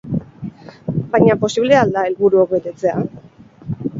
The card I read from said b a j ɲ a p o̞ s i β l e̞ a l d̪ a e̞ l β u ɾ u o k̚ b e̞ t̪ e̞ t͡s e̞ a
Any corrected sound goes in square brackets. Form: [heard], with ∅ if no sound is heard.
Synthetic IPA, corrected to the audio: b a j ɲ a p o̞ s i β l e̞ a l d̪ a e̞ l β u ɾ u o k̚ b e̞ t̪ e̞ t͡s e̞ a

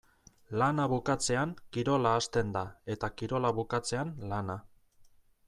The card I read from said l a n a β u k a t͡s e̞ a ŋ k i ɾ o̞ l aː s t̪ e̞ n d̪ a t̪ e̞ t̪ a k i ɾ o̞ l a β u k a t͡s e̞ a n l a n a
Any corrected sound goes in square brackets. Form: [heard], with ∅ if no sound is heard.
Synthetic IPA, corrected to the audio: l a n a β u k a t͡s e̞ a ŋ k i ɾ o̞ l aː s t̪ e̞ n d̪ a [∅] e̞ t̪ a k i ɾ o̞ l a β u k a t͡s e̞ a n l a n a

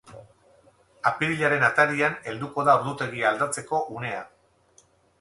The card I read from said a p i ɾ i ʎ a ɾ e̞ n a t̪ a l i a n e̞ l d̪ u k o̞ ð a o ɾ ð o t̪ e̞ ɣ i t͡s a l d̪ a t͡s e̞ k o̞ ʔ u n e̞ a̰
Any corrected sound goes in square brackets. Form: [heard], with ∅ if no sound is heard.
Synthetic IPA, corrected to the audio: a p i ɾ i ʎ a ɾ e̞ n a t̪ a [ɾ] i a n e̞ l d̪ u k o̞ ð a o ɾ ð [u] t̪ e̞ ɣ i [∅] a l d̪ a t͡s e̞ k o̞ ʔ u n e̞ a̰

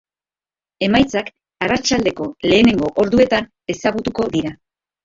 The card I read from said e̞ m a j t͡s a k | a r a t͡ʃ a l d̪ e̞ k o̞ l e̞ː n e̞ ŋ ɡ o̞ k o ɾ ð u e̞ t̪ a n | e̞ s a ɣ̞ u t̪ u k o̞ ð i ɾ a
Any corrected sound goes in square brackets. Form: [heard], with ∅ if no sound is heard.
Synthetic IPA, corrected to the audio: e̞ m a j t͡s a k | a r a t͡ʃ a l d̪ e̞ k o̞ l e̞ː n e̞ ŋ ɡ o̞ [ʔ] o ɾ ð u e̞ t̪ a n | e̞ s a ɣ̞ u t̪ u k o̞ ð i ɾ a

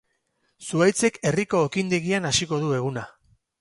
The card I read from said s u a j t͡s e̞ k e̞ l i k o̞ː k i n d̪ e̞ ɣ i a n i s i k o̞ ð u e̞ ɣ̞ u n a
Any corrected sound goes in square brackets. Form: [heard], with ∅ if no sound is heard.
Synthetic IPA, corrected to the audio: s u a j t͡s e̞ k e̞ [r] i k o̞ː k i n d̪ e̞ ɣ i a n [a] s i k o̞ ð u e̞ ɣ̞ u n a

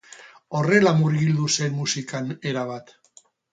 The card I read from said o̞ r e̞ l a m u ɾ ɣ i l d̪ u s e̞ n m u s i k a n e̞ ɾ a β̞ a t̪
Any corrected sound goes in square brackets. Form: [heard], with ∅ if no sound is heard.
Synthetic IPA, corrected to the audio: o̞ r e̞ l a m u ɾ ɣ i l d̪ u s e̞ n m u s i k a n e̞ ɾ a β̞ a t̪

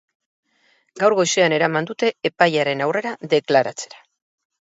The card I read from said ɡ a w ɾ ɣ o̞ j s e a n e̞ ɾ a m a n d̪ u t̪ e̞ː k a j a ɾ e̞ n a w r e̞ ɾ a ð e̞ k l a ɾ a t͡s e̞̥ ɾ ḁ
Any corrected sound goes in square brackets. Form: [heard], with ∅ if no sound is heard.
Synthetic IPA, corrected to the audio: ɡ a w ɾ ɣ o̞ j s e a n e̞ ɾ a m a n d̪ u t̪ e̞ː [p] a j a ɾ e̞ n a w r e̞ ɾ a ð e̞ k l a ɾ a t͡s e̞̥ ɾ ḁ

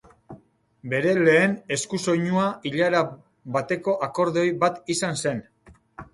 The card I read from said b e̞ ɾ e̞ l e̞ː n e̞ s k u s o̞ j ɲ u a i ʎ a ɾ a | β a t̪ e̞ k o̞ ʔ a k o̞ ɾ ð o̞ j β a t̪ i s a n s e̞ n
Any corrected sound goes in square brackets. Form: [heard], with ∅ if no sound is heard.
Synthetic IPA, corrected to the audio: b e̞ ɾ e̞ l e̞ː n e̞ s k u s o̞ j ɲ u a i ʎ a ɾ a | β a t̪ e̞ k o̞ ʔ a k o̞ ɾ ð o̞ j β a t̪ i s a n s e̞ n

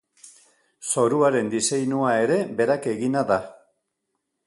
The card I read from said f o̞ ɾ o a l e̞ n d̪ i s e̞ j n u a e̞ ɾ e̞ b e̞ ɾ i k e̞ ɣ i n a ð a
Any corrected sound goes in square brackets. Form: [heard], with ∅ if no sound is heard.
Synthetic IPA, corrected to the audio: [s] o̞ ɾ [u] a [ɾ] e̞ n d̪ i s e̞ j n u a e̞ ɾ e̞ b e̞ ɾ [a] k e̞ ɣ i n a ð a

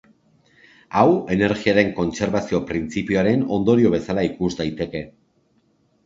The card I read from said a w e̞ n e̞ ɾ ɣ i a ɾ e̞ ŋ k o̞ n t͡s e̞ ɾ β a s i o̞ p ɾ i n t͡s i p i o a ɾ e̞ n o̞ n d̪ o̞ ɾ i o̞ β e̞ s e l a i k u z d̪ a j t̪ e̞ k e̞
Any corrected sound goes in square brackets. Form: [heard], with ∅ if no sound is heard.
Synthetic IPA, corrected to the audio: a w e̞ n e̞ ɾ ɣ i a ɾ e̞ ŋ k o̞ n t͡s e̞ ɾ β a s i o̞ p ɾ i n t͡s i p i o a ɾ e̞ n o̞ n d̪ o̞ ɾ i o̞ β e̞ s [a] l a i k u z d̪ a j t̪ e̞ k e̞

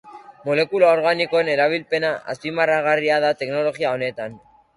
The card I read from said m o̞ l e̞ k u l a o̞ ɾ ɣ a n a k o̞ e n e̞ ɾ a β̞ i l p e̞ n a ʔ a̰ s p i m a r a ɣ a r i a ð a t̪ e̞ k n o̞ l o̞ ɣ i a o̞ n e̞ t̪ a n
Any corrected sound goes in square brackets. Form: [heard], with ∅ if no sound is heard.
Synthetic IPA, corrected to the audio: m o̞ l e̞ k u l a o̞ ɾ ɣ a n [i] k o̞ e n e̞ ɾ a β̞ i l p e̞ n a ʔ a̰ s p i m a r a ɣ a r i a ð a t̪ e̞ k n o̞ l o̞ ɣ i a o̞ n e̞ t̪ a n

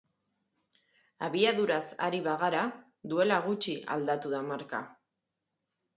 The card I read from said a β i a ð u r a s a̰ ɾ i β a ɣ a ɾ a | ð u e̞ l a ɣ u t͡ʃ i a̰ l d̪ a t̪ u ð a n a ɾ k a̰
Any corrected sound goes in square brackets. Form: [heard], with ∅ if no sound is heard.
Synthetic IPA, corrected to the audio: a β i a ð u [ɾ] a s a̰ ɾ i β a ɣ a ɾ a | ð u e̞ l a ɣ u t͡ʃ i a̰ l d̪ a t̪ u ð a [m] a ɾ k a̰

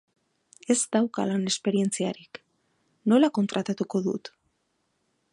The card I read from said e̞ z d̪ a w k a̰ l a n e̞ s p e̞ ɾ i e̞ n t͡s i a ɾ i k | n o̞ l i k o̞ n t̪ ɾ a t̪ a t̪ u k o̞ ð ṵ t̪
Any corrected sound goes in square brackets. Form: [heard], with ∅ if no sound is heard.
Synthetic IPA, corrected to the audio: e̞ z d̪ a w k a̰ l a n e̞ s p e̞ ɾ i e̞ n t͡s i a ɾ i k | n o̞ l [a] k o̞ n t̪ ɾ a t̪ a t̪ u k o̞ ð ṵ t̪

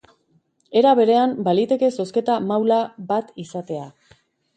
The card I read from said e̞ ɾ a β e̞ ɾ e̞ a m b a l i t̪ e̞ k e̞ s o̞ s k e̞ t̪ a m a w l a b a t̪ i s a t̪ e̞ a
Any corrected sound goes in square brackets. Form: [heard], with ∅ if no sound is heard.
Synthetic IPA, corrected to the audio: e̞ ɾ a β e̞ ɾ e̞ a m b a l i t̪ e̞ k e̞ s o̞ s k e̞ t̪ a m a w l a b a t̪ i s a t̪ e̞ a

